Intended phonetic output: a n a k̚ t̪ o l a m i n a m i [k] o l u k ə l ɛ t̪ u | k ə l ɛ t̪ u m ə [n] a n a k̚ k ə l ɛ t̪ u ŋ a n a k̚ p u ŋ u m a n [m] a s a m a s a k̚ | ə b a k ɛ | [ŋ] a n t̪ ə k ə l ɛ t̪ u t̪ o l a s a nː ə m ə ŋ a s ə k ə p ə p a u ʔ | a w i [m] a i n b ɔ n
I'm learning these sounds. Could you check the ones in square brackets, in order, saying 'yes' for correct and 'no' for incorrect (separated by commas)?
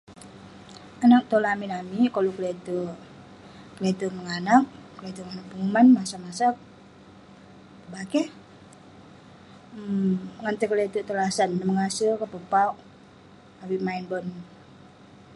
yes, no, yes, yes, yes